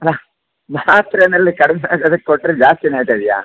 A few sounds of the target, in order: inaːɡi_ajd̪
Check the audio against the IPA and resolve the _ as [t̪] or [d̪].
t̪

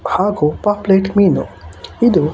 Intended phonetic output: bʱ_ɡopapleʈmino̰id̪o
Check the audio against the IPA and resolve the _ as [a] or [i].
a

